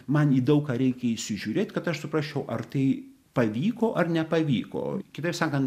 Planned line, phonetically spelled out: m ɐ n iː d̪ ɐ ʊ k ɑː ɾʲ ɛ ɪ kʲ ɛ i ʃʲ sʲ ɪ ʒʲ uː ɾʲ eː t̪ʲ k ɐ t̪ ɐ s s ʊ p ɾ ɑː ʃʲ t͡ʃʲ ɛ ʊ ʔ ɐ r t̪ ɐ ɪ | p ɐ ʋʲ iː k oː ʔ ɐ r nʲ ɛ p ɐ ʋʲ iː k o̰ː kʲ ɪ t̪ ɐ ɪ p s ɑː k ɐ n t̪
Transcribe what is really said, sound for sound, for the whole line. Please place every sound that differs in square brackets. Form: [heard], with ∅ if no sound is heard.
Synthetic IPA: m ɐ n iː d̪ ɐ ʊ k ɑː ɾʲ ɛ ɪ kʲ ɛ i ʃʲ sʲ ɪ ʒʲ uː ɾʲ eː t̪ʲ k ɐ t̪ ɐ [ʃ] s ʊ p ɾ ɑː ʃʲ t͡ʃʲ ɛ ʊ ʔ ɐ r t̪ ɐ ɪ | p ɐ ʋʲ iː k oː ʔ ɐ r nʲ ɛ p ɐ ʋʲ iː k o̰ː kʲ ɪ t̪ ɐ ɪ p s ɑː k ɐ n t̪